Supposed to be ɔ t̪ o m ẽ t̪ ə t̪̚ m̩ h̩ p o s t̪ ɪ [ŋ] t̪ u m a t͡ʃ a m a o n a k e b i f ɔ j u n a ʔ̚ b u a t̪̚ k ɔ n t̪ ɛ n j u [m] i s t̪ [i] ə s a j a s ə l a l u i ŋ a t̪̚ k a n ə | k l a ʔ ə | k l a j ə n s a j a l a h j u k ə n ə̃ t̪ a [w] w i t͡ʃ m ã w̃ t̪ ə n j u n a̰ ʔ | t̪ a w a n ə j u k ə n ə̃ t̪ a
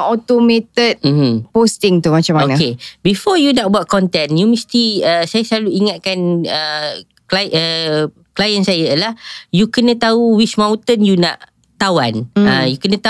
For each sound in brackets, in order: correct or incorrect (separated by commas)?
correct, correct, correct, incorrect